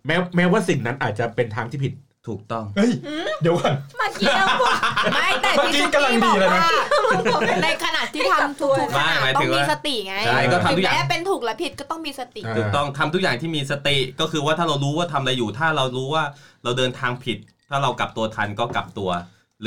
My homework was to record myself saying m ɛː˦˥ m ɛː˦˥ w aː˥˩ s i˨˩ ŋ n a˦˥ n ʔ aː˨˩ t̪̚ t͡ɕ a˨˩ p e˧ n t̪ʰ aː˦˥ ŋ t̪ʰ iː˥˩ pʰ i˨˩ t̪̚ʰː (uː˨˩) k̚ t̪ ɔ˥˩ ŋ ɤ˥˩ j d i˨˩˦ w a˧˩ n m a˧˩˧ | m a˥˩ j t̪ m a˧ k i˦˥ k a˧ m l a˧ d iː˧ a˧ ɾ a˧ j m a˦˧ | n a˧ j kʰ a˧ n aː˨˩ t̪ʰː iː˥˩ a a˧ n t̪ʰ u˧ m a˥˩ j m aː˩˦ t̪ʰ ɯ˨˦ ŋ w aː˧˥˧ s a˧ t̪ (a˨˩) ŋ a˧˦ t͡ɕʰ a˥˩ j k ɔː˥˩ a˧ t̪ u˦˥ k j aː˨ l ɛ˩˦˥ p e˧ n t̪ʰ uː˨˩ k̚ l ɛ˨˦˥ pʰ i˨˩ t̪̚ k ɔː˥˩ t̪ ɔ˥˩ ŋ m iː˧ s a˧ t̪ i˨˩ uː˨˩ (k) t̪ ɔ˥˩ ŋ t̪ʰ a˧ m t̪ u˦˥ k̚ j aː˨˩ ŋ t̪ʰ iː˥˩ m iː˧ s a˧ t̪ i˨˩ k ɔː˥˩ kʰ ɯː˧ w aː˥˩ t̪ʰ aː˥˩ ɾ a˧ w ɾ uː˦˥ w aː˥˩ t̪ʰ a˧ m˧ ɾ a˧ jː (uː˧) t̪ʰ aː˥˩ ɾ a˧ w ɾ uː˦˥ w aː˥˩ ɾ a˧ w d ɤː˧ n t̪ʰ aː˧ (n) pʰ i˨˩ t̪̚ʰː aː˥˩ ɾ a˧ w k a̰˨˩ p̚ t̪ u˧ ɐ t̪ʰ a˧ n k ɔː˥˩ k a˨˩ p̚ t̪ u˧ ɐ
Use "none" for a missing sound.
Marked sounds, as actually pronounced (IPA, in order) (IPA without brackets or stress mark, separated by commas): uː˨˩, i˨˩, k, uː˨˩, ŋ